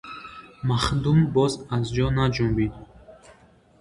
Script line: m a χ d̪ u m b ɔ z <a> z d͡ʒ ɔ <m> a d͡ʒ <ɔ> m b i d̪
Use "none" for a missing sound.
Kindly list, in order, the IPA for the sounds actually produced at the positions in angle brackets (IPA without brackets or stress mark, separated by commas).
a, n, u